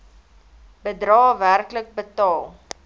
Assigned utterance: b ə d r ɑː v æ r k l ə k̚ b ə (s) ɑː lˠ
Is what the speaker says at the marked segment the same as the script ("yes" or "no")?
no